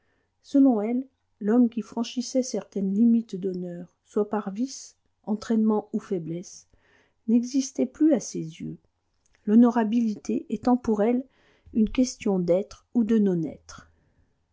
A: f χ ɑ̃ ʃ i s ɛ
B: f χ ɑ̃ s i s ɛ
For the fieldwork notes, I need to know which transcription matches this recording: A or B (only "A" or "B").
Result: A